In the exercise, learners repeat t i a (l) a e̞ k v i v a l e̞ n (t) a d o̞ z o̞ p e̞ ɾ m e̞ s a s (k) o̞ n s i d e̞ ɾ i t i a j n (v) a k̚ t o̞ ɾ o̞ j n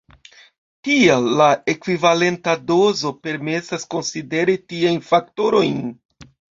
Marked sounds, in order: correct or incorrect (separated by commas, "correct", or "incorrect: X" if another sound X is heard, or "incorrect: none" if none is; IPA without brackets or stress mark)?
incorrect: lː, correct, correct, incorrect: f